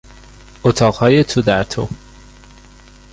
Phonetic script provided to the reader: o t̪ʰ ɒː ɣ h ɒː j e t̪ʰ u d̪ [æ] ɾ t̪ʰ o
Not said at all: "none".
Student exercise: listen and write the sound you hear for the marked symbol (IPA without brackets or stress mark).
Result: æ